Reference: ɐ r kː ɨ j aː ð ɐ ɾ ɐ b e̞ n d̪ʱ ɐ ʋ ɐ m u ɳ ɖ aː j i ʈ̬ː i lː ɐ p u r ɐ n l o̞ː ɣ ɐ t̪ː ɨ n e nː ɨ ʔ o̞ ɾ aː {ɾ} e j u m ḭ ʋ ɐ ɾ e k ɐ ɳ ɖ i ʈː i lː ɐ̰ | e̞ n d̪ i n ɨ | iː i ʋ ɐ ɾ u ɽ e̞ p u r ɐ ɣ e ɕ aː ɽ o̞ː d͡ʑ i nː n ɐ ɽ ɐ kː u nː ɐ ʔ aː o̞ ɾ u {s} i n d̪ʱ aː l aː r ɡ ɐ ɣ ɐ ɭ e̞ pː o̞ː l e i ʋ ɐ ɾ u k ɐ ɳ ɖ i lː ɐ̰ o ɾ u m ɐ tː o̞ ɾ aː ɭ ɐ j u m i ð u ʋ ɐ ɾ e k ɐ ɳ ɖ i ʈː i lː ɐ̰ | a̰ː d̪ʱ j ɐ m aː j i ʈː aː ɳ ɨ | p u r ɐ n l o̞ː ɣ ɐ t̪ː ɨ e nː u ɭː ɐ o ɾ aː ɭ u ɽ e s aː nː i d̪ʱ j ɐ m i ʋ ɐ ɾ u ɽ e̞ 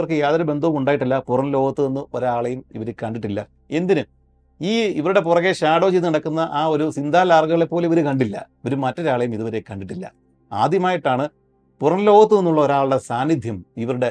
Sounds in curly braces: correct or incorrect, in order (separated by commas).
incorrect, correct